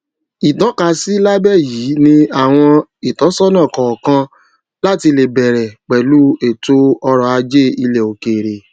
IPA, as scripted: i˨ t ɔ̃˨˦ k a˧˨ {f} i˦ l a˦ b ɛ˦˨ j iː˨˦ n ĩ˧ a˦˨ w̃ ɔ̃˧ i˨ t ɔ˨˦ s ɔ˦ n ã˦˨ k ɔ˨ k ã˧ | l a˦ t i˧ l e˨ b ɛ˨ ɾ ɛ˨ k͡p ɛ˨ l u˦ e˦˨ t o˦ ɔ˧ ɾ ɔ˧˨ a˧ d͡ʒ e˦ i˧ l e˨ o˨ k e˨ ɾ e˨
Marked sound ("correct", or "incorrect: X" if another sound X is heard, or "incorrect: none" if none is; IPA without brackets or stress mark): incorrect: s